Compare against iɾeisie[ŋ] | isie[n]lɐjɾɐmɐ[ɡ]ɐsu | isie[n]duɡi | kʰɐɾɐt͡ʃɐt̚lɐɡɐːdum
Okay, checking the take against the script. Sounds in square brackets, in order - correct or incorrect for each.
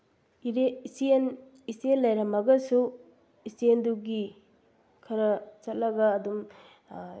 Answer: incorrect: n, correct, correct, correct

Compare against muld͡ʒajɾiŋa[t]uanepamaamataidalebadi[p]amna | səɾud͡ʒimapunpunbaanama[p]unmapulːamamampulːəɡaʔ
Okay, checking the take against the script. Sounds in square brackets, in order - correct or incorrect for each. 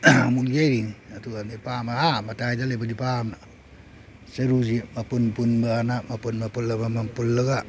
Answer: correct, correct, correct

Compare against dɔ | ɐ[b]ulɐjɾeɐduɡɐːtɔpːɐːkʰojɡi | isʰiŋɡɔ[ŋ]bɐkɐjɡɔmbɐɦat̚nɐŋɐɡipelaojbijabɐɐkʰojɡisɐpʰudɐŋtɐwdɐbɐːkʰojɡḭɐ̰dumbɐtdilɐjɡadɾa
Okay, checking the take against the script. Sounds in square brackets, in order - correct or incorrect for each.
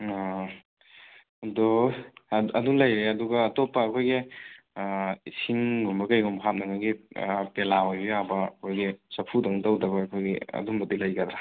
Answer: incorrect: d, incorrect: m

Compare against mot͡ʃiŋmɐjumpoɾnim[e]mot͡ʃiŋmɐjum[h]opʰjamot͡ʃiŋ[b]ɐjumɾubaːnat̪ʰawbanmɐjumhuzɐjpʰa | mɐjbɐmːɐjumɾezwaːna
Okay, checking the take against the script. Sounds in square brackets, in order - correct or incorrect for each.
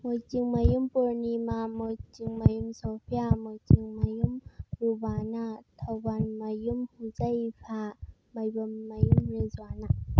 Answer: incorrect: a, incorrect: s, incorrect: m

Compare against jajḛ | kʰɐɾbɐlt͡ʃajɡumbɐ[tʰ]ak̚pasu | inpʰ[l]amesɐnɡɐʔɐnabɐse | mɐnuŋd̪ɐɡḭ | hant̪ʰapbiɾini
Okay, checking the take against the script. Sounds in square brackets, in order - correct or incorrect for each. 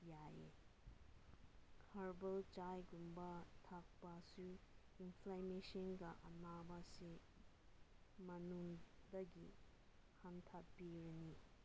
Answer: correct, correct

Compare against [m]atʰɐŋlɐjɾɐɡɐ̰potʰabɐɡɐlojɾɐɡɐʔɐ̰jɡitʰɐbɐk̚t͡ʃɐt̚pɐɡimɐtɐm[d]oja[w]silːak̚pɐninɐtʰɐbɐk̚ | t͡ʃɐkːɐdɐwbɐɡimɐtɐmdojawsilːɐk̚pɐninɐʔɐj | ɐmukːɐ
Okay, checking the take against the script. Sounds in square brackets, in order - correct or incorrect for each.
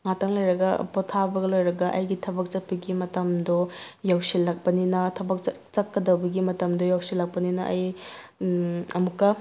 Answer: incorrect: ŋ, correct, correct

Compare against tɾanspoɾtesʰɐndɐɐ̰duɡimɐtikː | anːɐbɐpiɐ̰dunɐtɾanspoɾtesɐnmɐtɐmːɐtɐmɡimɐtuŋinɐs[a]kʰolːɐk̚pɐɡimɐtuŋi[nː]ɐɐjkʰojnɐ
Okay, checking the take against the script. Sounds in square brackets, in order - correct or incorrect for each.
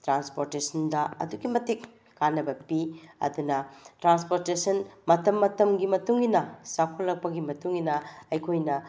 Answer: correct, incorrect: n

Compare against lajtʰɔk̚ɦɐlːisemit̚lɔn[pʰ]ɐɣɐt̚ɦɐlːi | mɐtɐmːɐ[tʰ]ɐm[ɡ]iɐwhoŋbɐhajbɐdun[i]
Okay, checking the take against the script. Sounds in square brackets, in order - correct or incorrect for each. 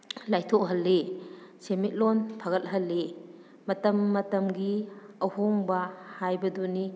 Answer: correct, incorrect: t, correct, correct

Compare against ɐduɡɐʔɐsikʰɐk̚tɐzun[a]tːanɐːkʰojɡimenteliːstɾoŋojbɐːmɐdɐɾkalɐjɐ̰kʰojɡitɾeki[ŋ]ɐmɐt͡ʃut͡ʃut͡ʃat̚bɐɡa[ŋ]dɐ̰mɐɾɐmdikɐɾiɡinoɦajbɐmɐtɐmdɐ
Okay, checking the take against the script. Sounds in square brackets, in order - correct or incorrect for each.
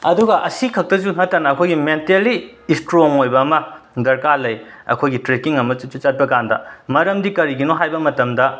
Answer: incorrect: ɐ, correct, incorrect: n

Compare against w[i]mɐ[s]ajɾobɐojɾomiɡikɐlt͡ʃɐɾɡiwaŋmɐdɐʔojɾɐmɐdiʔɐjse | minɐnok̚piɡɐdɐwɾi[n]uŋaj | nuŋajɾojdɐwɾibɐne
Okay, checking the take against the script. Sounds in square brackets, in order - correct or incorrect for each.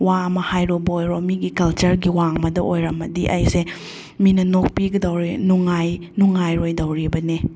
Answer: incorrect: a, incorrect: h, correct

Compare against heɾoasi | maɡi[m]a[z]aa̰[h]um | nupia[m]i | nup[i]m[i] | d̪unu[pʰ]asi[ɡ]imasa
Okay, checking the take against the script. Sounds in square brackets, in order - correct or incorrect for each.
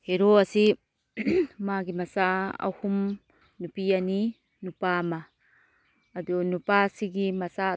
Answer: correct, incorrect: s, correct, incorrect: n, incorrect: a, incorrect: a, incorrect: p, correct

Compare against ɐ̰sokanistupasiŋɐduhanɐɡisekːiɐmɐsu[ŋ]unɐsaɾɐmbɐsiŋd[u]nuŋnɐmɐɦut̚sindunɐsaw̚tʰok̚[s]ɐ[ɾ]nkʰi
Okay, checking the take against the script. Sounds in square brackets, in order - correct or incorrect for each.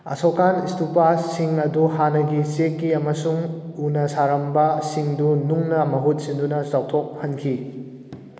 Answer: correct, correct, incorrect: h, incorrect: none

